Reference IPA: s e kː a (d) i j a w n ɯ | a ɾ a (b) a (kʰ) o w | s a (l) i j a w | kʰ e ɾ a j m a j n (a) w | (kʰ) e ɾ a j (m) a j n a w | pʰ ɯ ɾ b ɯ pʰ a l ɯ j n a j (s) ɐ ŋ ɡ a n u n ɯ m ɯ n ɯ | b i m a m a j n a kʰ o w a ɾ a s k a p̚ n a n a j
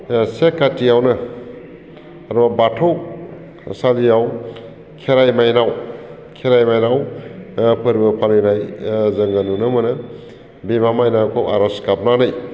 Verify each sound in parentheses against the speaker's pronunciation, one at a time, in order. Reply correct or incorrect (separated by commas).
incorrect, correct, incorrect, correct, correct, correct, correct, incorrect